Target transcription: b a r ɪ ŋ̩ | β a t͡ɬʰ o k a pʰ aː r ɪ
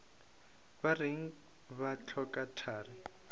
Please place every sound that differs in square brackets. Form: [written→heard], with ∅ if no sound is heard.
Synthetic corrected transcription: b a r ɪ ŋ̩ | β a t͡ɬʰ [o→ɔ] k a [pʰ→tʰ] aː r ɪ

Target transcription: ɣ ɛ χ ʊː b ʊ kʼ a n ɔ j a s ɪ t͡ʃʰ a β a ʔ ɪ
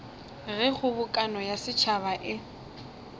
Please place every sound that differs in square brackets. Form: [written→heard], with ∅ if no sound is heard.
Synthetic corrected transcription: ɣ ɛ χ [ʊː→ʊ] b ʊ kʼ a n ɔ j a s ɪ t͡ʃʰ a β a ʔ ɪ

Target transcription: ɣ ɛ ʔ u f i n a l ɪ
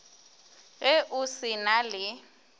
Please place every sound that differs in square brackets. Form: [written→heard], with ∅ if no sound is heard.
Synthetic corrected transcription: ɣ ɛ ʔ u [f→s] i n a l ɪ

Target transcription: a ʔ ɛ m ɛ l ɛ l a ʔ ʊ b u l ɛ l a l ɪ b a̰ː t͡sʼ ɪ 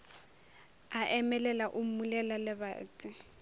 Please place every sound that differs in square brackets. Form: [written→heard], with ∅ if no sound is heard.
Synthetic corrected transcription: a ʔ ɛ m ɛ l ɛ l a ʔ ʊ [b→m] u l ɛ l a l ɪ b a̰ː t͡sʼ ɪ

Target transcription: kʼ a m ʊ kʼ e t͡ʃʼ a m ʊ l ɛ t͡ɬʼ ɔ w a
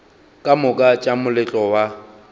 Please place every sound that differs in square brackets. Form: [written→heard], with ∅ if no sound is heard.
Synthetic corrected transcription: kʼ a m ʊ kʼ [e→a] t͡ʃʼ a m ʊ l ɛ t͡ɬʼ ɔ w a

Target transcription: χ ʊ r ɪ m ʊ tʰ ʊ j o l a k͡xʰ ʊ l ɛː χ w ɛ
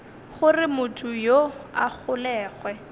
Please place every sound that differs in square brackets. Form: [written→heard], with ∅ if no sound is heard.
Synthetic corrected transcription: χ ʊ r ɪ m ʊ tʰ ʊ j o [l→∅] a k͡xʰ ʊ l ɛː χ w ɛ

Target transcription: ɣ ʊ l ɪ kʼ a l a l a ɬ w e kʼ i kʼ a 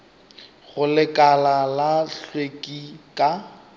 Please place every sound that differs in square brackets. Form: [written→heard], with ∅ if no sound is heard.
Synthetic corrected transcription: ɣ ʊ l ɪ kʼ a l a l a ɬ w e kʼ i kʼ a

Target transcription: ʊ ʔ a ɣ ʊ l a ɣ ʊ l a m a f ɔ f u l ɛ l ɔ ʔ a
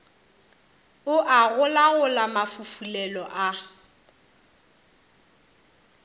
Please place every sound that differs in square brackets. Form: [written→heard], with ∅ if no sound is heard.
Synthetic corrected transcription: ʊ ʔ a ɣ ʊ l a ɣ ʊ l a m a f [ɔ→u] f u l ɛ l ɔ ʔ a

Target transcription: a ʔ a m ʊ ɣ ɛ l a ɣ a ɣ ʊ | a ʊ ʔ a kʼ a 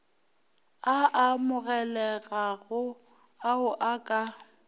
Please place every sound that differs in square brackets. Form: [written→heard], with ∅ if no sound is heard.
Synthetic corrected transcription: a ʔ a m ʊ ɣ ɛ l [a→ɛ] ɣ a ɣ ʊ | a ʊ ʔ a kʼ a

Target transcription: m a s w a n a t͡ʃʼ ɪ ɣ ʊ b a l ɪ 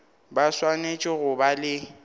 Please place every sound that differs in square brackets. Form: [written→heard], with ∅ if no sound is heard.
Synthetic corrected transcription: [m→b] a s w a n [a→e] t͡ʃʼ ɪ ɣ ʊ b a l ɪ

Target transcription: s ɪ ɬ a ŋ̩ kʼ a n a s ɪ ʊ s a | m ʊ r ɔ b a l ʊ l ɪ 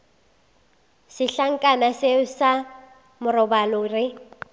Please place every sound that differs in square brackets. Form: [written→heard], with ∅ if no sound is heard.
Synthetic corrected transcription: s ɪ ɬ a ŋ̩ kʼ a n a s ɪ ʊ s a | m ʊ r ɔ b a l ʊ [l→r] ɪ

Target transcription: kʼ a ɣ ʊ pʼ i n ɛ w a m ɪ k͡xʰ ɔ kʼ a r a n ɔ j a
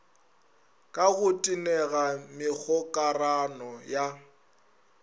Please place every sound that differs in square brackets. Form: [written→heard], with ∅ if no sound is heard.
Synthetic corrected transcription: kʼ a ɣ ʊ [pʼ→tʼ] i n ɛ [w→ɣ] a m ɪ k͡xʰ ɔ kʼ a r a n ɔ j a

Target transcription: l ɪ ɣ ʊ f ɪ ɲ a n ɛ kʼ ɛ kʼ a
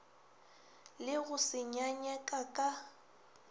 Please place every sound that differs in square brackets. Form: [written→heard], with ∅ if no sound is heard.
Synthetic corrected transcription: l ɪ ɣ ʊ [f→s] ɪ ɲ a [n→ɲ] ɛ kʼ [ɛ→a] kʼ a

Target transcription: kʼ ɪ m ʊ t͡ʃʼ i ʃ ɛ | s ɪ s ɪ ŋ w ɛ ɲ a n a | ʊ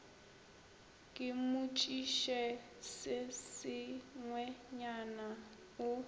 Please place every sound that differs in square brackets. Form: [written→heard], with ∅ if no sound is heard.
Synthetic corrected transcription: kʼ ɪ m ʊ t͡ʃʼ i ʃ ɛ | s ɪ s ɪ ŋ w ɛ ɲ a n a | ʊ

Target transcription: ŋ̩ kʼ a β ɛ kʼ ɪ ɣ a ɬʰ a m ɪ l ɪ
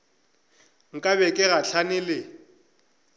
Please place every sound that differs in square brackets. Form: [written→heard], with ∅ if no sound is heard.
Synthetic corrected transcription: ŋ̩ kʼ a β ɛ kʼ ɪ ɣ a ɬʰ a [m→n] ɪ l ɪ

